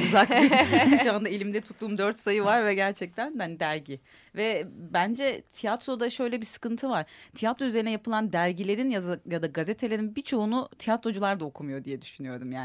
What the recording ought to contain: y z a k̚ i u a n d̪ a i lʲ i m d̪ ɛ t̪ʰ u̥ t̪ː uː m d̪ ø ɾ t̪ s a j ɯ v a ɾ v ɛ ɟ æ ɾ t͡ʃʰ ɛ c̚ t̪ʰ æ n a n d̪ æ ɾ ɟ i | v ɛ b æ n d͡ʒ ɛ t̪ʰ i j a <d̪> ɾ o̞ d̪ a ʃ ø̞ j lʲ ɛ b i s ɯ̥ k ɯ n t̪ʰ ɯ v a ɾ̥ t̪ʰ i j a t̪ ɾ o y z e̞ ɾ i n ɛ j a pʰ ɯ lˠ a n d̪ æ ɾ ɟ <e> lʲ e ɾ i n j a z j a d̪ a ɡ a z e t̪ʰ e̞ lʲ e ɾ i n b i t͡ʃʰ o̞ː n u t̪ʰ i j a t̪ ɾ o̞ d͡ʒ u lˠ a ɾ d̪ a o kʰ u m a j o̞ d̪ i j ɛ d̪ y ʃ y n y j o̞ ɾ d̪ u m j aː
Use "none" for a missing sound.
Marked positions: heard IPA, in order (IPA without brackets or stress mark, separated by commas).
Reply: t̪, i